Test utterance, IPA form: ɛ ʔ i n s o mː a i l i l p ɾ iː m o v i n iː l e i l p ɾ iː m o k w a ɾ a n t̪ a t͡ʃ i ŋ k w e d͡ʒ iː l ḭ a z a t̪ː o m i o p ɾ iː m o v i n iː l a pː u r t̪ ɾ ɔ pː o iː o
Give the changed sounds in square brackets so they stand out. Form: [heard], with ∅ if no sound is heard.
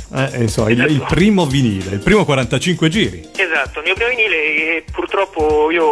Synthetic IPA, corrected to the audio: ɛ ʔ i n s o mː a i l i l p ɾ iː m o v i n iː l e i l p ɾ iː m o k w a ɾ a n t̪ a t͡ʃ i ŋ k w e d͡ʒ iː [ɾ] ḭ [e] z a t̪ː o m i o p ɾ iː m o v i n iː l [e] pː u r t̪ ɾ ɔ pː o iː o